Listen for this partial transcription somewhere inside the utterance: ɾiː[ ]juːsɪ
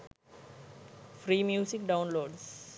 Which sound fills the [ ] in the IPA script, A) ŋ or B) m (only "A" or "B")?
B